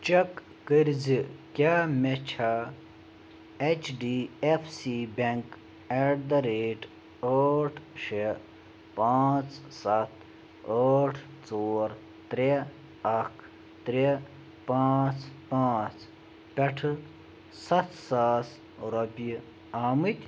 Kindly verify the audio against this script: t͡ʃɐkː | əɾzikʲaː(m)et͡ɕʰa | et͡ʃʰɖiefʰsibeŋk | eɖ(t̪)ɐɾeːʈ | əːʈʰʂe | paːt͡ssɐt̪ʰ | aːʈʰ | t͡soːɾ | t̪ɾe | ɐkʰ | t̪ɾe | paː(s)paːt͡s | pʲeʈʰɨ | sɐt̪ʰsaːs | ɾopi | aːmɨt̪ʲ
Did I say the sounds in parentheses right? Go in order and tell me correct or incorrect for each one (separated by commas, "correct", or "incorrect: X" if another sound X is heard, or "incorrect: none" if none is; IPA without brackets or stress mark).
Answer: correct, incorrect: d̪, incorrect: t͡s